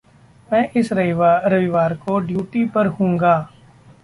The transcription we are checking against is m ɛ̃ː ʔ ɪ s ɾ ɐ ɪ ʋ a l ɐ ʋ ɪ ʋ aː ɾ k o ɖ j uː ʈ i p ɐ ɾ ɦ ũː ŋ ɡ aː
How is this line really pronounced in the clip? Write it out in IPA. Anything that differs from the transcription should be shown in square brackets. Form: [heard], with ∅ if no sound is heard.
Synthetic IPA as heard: m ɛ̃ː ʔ ɪ s ɾ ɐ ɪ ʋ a [ɾ] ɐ ʋ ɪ ʋ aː ɾ k o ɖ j uː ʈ i p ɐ ɾ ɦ ũː ŋ ɡ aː